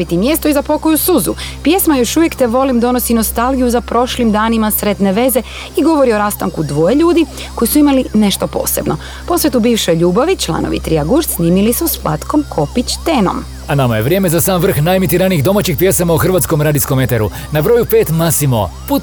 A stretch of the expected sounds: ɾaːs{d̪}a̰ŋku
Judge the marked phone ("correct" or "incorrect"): incorrect